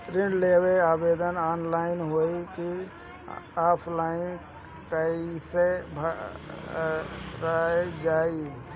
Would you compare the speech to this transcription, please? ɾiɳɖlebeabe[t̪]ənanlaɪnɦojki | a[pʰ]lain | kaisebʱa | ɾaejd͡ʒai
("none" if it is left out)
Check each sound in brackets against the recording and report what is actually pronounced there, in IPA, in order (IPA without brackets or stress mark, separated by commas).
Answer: d̪, pʰ